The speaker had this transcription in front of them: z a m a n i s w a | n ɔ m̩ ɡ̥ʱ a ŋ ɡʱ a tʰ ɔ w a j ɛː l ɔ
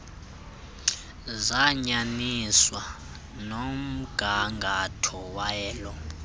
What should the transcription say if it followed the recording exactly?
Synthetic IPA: z a ɲ a n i s w a | n o m̩ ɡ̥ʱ a ŋ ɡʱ a tʰ ɔ w a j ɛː l ɔ